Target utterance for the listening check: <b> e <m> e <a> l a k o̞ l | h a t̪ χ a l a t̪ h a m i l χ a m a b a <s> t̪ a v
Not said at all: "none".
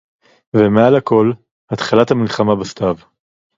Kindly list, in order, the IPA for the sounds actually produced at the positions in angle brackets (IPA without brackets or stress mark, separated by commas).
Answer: v, m, a, s